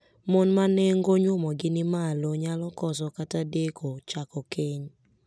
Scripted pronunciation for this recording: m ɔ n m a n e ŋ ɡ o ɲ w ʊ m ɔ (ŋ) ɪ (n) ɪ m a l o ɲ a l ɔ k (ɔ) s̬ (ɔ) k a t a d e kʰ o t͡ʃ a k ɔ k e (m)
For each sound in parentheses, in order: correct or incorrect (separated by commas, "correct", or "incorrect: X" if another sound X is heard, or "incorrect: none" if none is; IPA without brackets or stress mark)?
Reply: incorrect: ɡ, correct, correct, correct, incorrect: ɲ